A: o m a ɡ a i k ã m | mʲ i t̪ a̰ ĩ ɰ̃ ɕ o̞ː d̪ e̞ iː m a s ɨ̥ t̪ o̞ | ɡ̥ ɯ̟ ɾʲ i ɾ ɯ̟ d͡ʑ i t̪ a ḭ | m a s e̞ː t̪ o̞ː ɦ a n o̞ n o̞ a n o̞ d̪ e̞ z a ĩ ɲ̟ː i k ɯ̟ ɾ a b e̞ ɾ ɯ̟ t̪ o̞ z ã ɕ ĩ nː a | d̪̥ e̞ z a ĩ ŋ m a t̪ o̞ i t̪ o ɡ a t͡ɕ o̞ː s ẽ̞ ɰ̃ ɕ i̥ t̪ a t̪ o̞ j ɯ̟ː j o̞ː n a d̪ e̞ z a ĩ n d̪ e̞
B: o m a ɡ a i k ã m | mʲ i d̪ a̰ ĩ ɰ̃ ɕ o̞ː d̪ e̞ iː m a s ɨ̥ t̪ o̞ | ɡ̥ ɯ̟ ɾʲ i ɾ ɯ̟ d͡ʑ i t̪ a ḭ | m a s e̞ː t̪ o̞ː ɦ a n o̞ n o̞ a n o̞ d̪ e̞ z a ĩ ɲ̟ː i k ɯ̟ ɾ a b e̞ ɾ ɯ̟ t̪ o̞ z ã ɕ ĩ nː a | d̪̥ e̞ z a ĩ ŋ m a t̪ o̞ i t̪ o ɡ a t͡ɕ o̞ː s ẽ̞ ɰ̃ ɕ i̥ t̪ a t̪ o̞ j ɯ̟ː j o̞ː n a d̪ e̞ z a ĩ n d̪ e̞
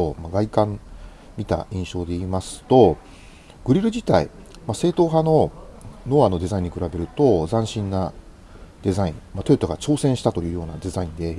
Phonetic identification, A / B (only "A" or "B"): A